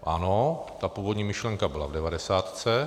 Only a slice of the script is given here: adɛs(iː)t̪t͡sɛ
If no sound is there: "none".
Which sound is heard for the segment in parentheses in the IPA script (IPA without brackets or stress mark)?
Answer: aː